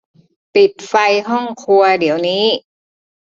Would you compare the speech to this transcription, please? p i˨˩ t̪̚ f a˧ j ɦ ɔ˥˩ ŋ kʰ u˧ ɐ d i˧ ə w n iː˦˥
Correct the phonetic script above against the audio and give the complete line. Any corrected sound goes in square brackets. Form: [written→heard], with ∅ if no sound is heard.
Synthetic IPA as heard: p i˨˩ t̪̚ f a˧ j ɦ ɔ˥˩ ŋ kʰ u˧ ɐ d [i˧→i˩˦] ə w n iː˦˥